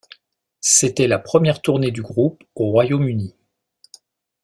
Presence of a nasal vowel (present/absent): absent